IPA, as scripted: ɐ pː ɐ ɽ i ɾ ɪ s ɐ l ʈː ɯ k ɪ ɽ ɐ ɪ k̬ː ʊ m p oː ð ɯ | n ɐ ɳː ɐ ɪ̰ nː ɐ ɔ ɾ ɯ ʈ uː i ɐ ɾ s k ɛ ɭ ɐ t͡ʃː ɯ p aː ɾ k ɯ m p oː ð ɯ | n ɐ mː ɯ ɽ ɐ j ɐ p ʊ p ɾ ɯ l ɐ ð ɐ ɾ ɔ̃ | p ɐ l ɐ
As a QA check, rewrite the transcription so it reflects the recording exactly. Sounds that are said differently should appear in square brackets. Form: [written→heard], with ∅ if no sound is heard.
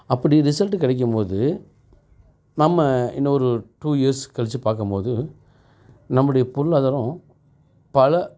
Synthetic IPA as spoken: ɐ pː ɐ ɽ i ɾ ɪ s ɐ l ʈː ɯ k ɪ ɽ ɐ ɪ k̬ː [ʊ→ɯ] m p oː ð ɯ | n ɐ [ɳː→mː] ɐ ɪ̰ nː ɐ ɔ ɾ ɯ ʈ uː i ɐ ɾ s k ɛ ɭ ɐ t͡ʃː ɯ p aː ɾ k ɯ m p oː ð ɯ | n ɐ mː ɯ ɽ ɐ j ɐ p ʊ [p→∅] ɾ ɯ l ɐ ð ɐ ɾ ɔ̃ | p ɐ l ɐ

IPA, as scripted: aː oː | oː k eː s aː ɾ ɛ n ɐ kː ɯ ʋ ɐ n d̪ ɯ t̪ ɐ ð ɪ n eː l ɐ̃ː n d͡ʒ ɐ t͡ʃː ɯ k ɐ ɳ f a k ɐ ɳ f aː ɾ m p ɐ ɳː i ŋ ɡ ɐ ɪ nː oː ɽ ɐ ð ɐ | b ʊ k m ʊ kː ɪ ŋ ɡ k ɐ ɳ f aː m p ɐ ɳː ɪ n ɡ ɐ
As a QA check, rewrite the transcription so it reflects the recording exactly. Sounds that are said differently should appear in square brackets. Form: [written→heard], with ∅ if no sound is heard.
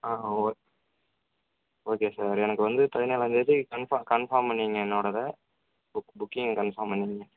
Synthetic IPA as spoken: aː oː | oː k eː s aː ɾ ɛ n ɐ kː ɯ ʋ ɐ n d̪ ɯ t̪ ɐ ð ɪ n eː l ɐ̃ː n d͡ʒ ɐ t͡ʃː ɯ k ɐ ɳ f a k ɐ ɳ f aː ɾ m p ɐ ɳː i ŋ ɡ ɐ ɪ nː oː ɽ ɐ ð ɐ | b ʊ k [m→b] ʊ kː ɪ ŋ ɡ k ɐ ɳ f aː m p ɐ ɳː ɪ [n→ŋ] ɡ ɐ

